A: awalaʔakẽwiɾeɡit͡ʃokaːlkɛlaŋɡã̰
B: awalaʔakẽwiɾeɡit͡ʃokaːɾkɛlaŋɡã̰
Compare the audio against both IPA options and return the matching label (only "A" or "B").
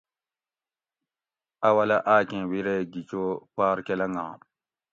B